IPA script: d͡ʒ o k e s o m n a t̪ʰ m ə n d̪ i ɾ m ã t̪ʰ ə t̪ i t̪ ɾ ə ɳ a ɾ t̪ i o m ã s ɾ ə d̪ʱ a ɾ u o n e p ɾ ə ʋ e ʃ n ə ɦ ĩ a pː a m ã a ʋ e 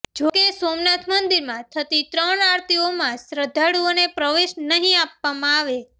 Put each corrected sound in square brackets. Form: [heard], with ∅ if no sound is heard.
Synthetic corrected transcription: d͡ʒ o k e s o m n a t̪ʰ m ə n d̪ i ɾ m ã t̪ʰ ə t̪ i t̪ ɾ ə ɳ a ɾ t̪ i o m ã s ɾ ə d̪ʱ a [ɽ] u o n e p ɾ ə ʋ e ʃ n ə ɦ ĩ a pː a m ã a ʋ e